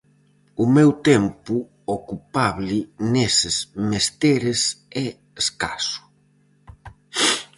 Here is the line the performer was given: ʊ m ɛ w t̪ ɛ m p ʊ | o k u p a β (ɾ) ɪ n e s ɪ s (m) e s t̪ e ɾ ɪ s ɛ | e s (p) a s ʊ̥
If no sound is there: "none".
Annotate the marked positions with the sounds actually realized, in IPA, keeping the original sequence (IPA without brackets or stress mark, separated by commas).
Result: l, m, k